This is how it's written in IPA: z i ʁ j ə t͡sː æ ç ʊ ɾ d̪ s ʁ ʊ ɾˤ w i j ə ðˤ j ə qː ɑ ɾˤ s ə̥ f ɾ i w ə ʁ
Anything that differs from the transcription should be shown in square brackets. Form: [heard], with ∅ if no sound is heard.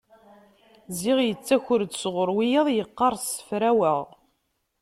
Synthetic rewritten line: z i ʁ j ə t͡sː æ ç ʊ ɾ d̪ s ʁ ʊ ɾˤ w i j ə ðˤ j ə qː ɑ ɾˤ s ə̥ f ɾ [æ] w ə ʁ

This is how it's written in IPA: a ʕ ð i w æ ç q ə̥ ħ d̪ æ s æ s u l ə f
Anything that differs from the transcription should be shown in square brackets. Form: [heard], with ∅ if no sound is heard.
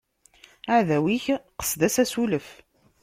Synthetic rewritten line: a ʕ ð [æ] w [i] ç q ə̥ [s] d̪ æ s æ s u l ə f

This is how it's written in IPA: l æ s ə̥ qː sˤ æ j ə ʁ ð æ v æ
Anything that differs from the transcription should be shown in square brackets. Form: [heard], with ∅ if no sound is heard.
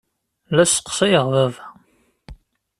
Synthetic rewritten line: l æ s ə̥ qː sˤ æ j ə ʁ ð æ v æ

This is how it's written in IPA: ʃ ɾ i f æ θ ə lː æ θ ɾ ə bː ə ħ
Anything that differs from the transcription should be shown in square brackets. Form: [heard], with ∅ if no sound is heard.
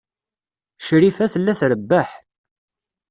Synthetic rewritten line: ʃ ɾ i f æ θ ə lː æ θ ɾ ə bː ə ħ

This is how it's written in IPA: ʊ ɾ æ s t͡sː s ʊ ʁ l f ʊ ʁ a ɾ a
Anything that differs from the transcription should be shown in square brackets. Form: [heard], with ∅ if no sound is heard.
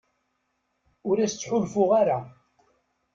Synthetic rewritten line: ʊ ɾ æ s t͡sː [ħ] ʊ [∅] l f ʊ ʁ a ɾ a

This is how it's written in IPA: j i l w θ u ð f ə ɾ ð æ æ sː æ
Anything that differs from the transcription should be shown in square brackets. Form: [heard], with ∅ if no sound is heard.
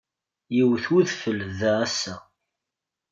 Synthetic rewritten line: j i [∅] w θ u ð f ə [l] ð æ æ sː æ

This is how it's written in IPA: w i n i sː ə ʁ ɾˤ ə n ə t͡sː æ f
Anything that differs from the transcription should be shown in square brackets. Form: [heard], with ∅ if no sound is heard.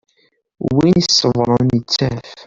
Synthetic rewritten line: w i n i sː ə [v] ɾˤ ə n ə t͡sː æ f

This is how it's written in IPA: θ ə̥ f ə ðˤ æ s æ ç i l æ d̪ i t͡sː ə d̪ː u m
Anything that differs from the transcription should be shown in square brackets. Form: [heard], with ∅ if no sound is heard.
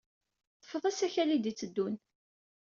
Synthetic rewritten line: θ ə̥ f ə ðˤ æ s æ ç [æ] l [i] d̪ i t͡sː ə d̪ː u [n]

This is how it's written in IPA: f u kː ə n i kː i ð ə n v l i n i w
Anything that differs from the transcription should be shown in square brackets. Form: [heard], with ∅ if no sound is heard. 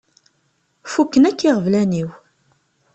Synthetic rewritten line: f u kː ə n [æ] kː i [ʁ] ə [∅] v l [æ] n i w

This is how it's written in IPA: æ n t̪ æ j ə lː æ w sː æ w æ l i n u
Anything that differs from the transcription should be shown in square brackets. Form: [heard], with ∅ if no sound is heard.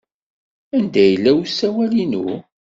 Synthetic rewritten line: æ n [d̪] æ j ə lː æ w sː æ w æ l i n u

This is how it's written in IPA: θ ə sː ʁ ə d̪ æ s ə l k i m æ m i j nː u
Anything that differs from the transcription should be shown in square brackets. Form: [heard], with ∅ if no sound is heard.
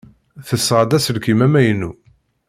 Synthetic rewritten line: θ ə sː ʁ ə d̪ æ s ə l k i m æ m [æ] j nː u

